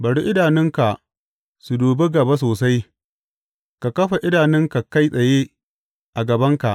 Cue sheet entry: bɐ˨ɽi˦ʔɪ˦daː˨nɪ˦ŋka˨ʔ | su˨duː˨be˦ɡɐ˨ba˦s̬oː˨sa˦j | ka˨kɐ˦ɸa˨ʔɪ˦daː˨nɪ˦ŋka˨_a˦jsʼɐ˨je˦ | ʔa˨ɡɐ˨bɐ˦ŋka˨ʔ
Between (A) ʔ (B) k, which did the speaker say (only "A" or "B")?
B